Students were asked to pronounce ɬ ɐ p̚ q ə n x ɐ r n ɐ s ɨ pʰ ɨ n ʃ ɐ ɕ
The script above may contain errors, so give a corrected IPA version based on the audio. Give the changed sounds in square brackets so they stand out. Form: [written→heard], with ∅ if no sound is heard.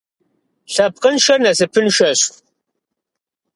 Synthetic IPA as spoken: ɬ ɐ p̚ q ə n [x→ʃ] ɐ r n ɐ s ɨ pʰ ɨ n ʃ ɐ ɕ